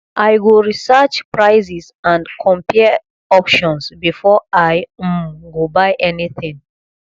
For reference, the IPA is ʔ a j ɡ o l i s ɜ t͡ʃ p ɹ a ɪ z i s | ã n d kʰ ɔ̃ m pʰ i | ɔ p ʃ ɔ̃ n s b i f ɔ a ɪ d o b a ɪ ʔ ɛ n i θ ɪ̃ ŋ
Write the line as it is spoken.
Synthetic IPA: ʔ a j ɡ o ɹ i s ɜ t͡ʃ p ɹ a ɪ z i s | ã n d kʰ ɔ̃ m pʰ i | ɔ p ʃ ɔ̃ n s b i f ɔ a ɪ ɡ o b a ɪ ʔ ɛ n i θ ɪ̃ ŋ